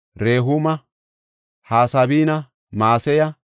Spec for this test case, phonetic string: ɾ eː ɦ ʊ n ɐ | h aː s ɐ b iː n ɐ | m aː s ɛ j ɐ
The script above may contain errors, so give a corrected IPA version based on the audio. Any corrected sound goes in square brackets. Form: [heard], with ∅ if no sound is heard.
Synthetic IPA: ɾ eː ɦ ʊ [m] ɐ | h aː s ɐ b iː n ɐ | m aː s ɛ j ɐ

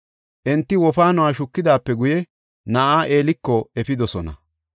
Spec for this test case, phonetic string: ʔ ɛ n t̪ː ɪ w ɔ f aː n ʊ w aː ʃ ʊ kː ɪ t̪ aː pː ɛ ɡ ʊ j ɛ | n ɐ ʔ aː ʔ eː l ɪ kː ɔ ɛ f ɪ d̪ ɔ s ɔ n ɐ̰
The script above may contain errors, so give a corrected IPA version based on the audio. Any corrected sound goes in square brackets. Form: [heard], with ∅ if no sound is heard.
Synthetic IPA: ʔ ɛ n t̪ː ɪ w ɔ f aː n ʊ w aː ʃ ʊ kː ɪ [d̪] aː pː ɛ ɡ ʊ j ɛ | n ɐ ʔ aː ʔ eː l ɪ kː ɔ ɛ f ɪ d̪ ɔ s ɔ n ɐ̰

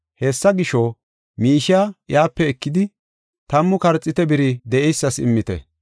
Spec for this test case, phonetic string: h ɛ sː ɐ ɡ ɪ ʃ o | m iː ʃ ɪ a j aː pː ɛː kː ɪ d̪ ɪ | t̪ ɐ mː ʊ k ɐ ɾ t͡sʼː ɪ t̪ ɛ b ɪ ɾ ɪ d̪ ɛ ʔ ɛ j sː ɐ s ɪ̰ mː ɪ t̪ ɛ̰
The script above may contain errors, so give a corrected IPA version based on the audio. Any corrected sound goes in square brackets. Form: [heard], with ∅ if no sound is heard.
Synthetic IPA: h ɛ sː ɐ ɡ ɪ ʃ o | m iː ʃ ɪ a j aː pː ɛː kː ɪ d̪ ɪ | t̪ ɐ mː ʊ k ɐ ɾ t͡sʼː ɪ t̪ ɛ b ɪ ɾ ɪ d̪ ɛ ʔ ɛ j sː ɐ s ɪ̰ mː ɪ t̪ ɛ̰

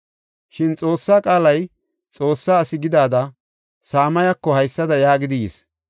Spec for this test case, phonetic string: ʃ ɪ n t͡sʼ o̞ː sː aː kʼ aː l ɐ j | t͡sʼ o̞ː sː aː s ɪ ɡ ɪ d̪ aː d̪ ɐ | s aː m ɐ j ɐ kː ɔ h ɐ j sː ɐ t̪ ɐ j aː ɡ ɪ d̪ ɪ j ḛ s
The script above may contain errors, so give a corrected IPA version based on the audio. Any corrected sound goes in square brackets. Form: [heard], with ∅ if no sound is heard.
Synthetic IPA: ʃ ɪ n t͡sʼ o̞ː sː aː kʼ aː l ɐ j | t͡sʼ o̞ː sː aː s ɪ ɡ ɪ d̪ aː d̪ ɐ | s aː m ɐ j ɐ kː ɔ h ɐ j sː ɐ [d̪] ɐ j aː ɡ ɪ d̪ ɪ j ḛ s

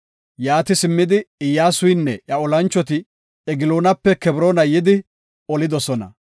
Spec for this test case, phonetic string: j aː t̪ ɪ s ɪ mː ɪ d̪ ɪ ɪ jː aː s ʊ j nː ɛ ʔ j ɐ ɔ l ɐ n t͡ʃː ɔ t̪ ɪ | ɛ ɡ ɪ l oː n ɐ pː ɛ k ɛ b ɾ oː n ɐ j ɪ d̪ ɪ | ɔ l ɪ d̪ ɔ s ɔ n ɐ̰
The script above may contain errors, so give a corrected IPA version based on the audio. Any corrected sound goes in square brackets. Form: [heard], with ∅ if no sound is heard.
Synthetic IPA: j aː t̪ ɪ s ɪ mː ɪ d̪ ɪ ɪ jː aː s ʊ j nː ɛ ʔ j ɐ ɔ l ɐ n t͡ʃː ɔ t̪ ɪ | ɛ ɡ ɪ l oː n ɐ pː ɛ k ɛ b ɾ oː n ɐ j ɪ d̪ ɪ | ɔ l ɪ d̪ ɔ s ɔ n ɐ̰

